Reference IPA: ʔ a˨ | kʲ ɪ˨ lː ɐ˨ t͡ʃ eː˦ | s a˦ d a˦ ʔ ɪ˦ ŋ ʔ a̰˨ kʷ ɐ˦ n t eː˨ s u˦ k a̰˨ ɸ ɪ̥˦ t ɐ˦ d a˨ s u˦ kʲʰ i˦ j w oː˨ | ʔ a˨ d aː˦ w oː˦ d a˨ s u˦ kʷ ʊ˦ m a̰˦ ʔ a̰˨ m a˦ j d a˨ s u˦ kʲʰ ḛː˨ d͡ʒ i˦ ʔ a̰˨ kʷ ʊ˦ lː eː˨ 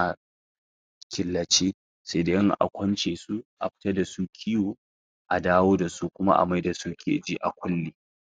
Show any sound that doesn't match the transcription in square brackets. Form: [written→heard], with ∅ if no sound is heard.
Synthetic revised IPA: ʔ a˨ | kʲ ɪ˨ lː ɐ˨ t͡ʃ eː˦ | s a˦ d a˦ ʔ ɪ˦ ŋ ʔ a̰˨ kʷ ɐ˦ n [t→t͡ʃ] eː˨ s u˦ [k→ʔ] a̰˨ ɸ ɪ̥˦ t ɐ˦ d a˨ s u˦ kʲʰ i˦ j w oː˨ | ʔ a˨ d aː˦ w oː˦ d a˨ s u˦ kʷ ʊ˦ m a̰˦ ʔ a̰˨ m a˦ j d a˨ s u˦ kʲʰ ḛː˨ d͡ʒ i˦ ʔ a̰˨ kʷ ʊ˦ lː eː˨